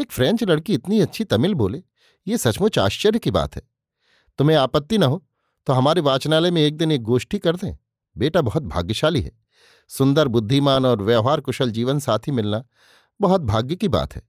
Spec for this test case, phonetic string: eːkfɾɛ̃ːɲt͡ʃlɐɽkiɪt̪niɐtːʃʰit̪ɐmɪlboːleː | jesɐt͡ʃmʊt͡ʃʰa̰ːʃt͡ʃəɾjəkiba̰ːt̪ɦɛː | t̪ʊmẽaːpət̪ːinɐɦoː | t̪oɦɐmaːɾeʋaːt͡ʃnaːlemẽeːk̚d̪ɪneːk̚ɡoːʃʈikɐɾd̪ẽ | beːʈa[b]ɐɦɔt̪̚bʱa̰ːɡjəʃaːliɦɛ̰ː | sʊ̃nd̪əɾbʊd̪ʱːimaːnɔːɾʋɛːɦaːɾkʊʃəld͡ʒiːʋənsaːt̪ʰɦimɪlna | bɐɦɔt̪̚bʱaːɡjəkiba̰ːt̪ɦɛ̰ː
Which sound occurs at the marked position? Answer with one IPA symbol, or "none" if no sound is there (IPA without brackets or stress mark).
b